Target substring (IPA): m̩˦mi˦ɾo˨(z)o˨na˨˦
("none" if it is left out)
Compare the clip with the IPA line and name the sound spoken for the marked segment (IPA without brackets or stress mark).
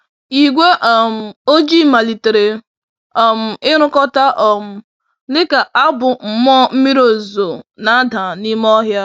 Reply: z